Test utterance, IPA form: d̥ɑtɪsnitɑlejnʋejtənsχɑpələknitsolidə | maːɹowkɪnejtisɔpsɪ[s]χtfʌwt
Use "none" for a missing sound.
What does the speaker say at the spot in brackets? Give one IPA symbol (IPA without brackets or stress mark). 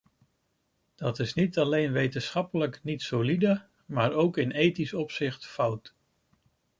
none